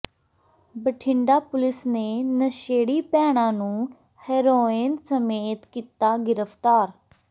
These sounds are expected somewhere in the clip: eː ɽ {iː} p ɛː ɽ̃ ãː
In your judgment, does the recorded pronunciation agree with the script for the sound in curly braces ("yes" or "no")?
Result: yes